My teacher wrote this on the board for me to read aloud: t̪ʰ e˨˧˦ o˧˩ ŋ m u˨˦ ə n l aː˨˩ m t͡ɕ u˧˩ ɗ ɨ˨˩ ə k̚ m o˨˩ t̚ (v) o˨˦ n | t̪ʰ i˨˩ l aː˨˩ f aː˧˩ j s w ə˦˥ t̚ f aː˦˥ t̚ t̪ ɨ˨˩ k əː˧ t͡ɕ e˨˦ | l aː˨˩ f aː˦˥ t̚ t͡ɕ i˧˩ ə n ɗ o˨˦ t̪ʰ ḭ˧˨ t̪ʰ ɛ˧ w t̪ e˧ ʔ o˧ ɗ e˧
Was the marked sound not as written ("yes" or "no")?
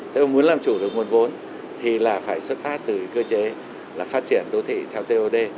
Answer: no